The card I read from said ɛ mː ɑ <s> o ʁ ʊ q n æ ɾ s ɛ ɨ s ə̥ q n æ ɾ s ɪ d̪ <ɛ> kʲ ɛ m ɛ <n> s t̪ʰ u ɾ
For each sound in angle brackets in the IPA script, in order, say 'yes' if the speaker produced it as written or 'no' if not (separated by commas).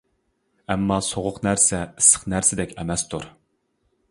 yes, yes, no